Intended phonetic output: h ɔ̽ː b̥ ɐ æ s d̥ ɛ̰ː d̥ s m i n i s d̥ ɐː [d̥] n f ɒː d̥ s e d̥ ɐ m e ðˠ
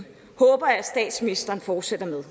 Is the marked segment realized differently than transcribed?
yes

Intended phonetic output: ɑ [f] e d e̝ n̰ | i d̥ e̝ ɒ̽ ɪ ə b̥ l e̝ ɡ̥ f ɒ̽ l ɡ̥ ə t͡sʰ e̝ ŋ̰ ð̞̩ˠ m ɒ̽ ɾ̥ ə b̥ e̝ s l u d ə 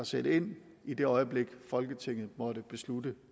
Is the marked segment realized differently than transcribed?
yes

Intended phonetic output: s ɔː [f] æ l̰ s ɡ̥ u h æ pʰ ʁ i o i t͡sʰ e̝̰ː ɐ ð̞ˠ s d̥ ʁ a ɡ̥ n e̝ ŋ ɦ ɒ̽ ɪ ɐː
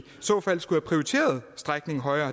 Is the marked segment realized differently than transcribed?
no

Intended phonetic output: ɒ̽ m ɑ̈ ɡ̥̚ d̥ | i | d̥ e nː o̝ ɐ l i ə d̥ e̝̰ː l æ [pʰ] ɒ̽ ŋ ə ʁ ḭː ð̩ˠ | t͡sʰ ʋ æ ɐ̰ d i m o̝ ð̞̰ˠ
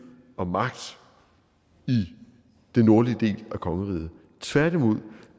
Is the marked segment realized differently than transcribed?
yes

